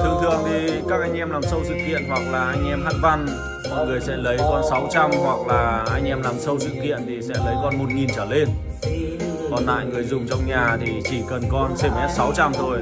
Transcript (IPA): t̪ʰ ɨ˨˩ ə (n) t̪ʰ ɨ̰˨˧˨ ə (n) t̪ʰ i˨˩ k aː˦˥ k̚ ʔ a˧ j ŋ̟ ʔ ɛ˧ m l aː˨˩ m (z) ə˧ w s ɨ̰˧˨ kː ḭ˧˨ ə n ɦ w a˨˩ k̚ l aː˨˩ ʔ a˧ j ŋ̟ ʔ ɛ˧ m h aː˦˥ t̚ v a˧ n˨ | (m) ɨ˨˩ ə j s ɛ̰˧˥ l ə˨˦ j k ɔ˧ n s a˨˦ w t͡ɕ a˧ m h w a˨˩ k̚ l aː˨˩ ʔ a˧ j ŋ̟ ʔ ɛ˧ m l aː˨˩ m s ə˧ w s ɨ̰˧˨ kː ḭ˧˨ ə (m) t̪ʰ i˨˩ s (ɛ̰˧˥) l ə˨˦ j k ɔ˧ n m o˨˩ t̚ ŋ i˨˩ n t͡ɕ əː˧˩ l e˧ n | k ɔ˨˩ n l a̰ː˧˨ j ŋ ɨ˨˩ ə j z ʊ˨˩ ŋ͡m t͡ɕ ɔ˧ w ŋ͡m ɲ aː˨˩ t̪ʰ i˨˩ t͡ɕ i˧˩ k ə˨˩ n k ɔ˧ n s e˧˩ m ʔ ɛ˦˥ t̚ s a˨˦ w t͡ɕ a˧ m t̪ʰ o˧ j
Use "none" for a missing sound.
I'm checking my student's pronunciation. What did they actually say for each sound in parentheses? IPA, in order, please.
ŋ, ŋ, s, ŋ, n, ɛ̰˧˥

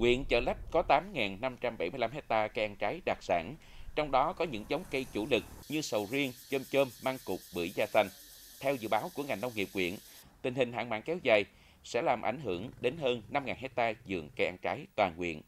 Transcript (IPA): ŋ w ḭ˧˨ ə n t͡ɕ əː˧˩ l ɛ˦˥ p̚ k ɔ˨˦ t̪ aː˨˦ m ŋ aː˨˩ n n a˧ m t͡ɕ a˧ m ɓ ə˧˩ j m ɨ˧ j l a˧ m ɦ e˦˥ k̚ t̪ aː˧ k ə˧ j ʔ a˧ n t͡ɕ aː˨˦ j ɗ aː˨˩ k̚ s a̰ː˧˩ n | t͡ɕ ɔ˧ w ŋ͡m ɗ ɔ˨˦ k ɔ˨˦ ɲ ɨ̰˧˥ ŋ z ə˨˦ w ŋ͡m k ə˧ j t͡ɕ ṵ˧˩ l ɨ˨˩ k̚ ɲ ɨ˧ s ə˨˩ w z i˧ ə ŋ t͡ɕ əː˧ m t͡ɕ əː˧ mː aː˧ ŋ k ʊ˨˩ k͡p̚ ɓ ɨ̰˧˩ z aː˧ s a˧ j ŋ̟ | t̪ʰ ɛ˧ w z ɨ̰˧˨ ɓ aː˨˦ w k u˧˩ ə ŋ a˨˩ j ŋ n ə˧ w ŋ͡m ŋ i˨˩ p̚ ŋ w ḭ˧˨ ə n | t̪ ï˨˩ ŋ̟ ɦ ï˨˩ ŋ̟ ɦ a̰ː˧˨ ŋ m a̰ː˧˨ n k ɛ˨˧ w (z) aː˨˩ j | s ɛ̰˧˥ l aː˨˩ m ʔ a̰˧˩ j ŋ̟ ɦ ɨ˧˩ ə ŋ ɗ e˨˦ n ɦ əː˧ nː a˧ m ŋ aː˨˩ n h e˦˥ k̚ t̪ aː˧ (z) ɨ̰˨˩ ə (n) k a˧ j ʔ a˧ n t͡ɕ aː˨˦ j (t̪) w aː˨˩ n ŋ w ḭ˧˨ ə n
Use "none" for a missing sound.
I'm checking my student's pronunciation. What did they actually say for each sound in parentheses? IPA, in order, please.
z, z, ŋ, t̪

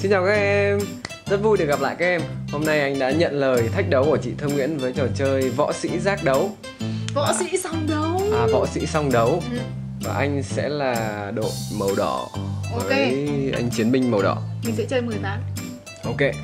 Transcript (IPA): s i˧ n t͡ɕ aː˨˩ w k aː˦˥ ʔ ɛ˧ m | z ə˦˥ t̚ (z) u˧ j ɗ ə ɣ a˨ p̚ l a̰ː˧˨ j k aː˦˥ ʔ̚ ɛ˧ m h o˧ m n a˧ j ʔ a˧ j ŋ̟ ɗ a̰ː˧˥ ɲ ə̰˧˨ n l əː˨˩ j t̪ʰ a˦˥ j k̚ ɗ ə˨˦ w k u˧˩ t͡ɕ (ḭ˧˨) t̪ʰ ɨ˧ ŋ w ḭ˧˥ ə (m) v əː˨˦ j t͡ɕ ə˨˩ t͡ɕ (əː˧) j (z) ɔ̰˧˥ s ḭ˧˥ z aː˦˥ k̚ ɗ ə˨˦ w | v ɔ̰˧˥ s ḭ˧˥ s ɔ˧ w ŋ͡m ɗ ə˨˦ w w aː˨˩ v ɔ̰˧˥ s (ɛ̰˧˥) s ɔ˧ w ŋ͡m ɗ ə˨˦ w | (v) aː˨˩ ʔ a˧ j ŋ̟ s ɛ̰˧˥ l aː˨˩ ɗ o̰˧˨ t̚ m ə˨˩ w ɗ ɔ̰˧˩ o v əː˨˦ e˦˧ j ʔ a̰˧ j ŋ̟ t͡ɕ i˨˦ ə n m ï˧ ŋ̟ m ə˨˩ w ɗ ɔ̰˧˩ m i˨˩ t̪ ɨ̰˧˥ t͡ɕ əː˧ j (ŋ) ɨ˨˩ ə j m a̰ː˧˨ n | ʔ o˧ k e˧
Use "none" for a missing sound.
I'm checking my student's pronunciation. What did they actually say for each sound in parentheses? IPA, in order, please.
v, ḭ˧˨, n, əː˧, v, ḭ˧˥, v, m

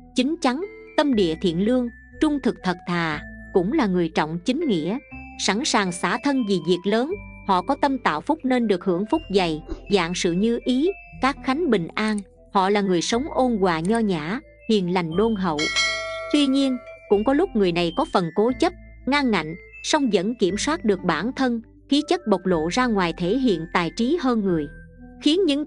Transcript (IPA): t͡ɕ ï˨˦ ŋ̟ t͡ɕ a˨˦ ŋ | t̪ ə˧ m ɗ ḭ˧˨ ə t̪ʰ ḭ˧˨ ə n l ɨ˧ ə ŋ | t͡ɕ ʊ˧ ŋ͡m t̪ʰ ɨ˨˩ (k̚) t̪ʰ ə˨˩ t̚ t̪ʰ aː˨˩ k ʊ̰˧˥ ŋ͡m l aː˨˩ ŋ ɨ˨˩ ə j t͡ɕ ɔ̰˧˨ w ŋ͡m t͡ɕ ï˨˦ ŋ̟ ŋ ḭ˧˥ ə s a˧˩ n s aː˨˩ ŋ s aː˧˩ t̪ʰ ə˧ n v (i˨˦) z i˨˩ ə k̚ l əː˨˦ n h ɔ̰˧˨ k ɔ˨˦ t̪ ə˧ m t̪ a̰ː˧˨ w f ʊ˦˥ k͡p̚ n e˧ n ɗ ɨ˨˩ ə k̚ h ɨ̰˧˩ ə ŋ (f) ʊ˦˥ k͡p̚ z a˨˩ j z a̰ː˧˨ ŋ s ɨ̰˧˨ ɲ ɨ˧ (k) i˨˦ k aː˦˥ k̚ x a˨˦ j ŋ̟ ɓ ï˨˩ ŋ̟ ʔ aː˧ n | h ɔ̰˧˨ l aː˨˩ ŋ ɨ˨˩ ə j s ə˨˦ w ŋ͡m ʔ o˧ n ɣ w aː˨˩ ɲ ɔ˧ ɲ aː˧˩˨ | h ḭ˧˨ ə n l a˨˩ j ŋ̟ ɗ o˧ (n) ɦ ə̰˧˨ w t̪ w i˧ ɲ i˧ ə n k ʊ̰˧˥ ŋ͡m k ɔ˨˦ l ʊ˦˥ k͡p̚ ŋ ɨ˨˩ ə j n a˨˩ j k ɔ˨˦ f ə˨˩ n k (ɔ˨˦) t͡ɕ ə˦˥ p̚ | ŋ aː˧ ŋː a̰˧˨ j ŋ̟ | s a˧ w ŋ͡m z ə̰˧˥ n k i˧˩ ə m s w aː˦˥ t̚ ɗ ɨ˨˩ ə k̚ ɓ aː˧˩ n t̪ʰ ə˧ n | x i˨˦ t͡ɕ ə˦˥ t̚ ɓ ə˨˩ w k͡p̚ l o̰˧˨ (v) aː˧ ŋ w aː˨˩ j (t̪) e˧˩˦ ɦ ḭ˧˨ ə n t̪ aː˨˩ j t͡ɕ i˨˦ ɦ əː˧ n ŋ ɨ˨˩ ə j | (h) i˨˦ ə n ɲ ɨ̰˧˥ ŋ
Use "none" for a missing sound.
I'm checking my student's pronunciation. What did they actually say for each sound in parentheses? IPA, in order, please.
k̚, i˨˩, f, ʔ, n, o˨˦, z, t̪ʰ, x

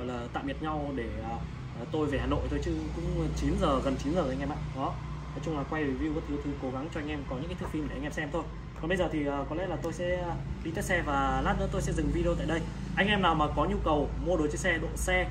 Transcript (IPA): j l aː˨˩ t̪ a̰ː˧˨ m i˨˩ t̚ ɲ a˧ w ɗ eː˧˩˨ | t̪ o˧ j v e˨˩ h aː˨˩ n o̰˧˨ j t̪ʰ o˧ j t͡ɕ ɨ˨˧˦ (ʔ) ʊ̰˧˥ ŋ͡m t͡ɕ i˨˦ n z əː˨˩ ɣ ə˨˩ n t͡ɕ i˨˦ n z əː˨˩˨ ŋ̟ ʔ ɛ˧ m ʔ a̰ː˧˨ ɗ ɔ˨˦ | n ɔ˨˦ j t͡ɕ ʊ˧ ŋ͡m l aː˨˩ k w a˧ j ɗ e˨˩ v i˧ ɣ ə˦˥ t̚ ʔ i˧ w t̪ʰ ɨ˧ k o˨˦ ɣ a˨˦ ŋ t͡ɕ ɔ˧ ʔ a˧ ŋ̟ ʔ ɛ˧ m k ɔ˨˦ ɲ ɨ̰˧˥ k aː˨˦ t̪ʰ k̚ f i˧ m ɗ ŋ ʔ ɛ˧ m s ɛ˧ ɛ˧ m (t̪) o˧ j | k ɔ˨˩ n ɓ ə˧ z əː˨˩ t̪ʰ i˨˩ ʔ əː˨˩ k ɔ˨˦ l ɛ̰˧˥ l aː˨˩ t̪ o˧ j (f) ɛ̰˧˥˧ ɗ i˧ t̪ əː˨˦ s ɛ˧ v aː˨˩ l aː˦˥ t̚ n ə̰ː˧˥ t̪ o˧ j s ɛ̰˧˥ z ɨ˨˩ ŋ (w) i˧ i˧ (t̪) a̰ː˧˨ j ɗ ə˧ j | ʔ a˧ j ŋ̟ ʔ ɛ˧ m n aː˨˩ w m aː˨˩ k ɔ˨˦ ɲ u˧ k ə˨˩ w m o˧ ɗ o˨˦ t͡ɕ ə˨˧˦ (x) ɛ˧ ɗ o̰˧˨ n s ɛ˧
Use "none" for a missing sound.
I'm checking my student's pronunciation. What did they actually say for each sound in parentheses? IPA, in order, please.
k, t̪ʰ, s, v, t̪, s

